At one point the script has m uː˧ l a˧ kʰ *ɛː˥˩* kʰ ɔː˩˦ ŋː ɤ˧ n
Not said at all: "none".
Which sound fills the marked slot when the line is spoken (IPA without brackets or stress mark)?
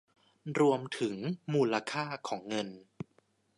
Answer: aː˥˩